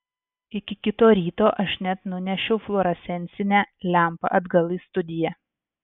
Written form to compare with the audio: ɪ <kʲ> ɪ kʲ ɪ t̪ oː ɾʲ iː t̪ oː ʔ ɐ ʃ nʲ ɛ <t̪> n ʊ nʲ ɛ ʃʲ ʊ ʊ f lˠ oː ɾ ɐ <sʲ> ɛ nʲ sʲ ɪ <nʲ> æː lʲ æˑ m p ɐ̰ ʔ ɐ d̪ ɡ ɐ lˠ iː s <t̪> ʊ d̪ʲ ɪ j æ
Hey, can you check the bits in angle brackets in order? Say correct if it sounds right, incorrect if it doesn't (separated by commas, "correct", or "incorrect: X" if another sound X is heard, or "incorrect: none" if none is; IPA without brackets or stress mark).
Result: correct, correct, correct, correct, correct